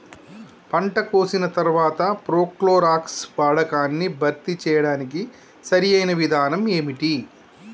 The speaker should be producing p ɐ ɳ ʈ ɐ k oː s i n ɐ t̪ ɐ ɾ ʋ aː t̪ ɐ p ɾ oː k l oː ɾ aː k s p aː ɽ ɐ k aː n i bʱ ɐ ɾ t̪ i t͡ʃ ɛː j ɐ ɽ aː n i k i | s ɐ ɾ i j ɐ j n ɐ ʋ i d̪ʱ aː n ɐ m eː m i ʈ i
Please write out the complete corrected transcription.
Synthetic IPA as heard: p ɐ ɳ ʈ ɐ k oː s i n ɐ t̪ ɐ ɾ ʋ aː t̪ ɐ p ɾ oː k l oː ɾ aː k s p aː ɽ ɐ k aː nː i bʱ ɐ ɾ t̪ i t͡ʃ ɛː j ɐ ɽ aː n i k i | s ɐ ɾ i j ɐ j n ɐ ʋ i d̪ʱ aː n ɐ m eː m i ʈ i

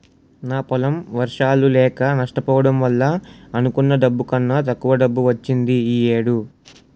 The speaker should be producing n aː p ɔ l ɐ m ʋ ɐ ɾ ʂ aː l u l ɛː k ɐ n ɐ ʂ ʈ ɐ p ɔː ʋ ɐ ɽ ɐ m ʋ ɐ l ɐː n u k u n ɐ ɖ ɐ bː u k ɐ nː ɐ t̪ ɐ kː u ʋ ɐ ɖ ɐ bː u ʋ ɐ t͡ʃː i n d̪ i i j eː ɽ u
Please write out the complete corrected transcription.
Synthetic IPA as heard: n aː p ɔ l ɐ m ʋ ɐ ɾ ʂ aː l u l ɛː k ɐ n ɐ ʂ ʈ ɐ p ɔː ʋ ɐ ɽ ɐ m ʋ ɐ lː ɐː n u k u nː ɐ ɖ ɐ bː u k ɐ nː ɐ t̪ ɐ kː u ʋ ɐ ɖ ɐ bː u ʋ ɐ t͡ʃː i n d̪ i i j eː ɽ u

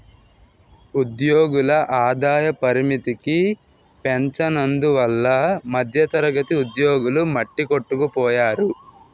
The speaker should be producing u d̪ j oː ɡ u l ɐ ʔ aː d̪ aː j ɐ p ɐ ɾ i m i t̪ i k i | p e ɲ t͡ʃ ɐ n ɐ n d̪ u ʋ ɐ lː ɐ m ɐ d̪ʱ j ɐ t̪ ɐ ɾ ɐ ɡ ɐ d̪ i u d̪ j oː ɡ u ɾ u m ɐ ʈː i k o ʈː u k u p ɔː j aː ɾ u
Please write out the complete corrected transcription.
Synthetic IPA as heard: u d̪ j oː ɡ u l ɐ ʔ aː d̪ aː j ɐ p ɐ ɾ i m i t̪ i k i | p e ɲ t͡ʃ ɐ n ɐ n d̪ u ʋ ɐ lː ɐ m ɐ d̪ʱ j ɐ t̪ ɐ ɾ ɐ ɡ ɐ t̪ i u d̪ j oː ɡ u l u m ɐ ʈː i k o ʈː u k u p ɔː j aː ɾ u

